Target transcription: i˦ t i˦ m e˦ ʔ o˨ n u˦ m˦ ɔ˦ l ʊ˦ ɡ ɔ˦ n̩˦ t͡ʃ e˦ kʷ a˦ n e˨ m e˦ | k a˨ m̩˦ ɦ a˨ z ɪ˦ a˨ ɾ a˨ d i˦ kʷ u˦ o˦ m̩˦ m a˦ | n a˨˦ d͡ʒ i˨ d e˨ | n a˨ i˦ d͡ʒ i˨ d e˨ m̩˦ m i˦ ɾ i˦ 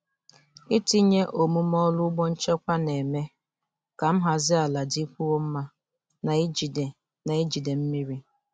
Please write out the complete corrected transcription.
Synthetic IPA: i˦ t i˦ ɲ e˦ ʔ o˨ m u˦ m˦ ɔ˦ l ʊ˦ ɡ͡b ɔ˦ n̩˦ t͡ʃ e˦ kʷ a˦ n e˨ m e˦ | k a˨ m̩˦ ɦ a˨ z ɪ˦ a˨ l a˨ d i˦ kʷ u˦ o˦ m̩˦ m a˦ | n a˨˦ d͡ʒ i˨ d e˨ | n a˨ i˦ d͡ʒ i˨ d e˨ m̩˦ m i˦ ɾ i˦

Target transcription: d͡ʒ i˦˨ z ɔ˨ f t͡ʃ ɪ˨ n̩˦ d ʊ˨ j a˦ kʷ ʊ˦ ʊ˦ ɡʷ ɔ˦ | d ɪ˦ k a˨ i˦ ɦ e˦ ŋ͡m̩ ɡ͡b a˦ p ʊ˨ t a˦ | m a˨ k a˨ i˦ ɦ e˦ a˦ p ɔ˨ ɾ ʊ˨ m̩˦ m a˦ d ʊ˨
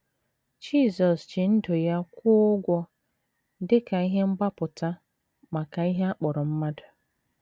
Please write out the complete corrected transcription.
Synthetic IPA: d͡ʒ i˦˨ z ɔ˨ s t͡ʃ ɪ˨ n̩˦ d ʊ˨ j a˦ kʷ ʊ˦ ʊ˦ ɡʷ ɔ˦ | d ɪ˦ k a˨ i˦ ɦ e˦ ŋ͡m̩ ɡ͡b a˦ p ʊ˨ t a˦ | m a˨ k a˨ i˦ ɦ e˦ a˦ k͡p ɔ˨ ɾ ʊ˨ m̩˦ m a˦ d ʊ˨

